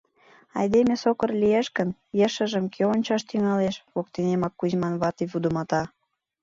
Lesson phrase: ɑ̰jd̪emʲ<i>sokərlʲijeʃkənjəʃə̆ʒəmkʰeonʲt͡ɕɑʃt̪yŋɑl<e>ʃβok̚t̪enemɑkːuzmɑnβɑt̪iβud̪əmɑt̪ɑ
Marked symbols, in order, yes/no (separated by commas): no, yes